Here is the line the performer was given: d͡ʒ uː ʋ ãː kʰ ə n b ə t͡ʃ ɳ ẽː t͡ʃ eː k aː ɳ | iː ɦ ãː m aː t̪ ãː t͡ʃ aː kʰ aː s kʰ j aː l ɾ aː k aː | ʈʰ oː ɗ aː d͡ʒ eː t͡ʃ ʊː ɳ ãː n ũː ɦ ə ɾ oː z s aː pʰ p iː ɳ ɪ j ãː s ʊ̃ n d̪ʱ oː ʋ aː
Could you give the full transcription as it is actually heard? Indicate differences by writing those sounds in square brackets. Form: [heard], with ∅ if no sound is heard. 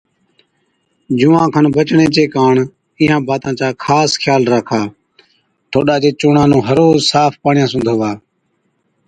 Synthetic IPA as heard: d͡ʒ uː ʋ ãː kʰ ə n b ə t͡ʃ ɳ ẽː t͡ʃ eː k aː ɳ | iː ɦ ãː [b] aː t̪ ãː t͡ʃ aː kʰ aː s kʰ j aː l ɾ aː [kʰ] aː | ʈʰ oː ɗ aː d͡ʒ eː t͡ʃ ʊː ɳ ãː n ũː ɦ ə ɾ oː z s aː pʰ p [aː] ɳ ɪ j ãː s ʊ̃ n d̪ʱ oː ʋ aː